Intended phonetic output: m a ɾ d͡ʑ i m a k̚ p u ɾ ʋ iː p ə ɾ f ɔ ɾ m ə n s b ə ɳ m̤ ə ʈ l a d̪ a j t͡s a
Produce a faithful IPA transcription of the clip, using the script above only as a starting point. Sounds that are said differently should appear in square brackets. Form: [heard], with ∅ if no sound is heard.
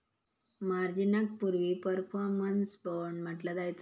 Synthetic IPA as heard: m a ɾ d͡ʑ i [n] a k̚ p u ɾ ʋ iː p ə ɾ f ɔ ɾ m ə n s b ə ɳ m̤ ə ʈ l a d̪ a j t͡s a